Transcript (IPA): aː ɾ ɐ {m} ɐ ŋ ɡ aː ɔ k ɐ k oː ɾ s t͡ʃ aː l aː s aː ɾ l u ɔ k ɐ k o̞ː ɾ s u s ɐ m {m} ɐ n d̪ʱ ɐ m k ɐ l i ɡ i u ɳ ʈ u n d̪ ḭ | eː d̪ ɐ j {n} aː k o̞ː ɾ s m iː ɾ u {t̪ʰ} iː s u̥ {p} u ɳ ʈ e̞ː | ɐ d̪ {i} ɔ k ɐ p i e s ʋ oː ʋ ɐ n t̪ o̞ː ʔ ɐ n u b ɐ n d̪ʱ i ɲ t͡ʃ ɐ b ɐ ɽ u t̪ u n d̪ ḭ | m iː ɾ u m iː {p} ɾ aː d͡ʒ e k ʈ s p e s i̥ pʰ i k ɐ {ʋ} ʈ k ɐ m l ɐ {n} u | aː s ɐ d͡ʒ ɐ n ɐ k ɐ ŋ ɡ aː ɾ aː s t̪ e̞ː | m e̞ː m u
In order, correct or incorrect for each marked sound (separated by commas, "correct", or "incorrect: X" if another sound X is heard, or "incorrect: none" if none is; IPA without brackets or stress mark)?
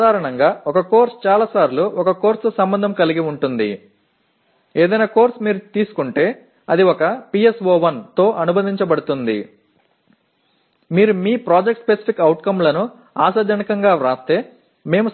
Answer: incorrect: ɳ, incorrect: b, correct, incorrect: t̪, incorrect: k, correct, correct, incorrect: w, correct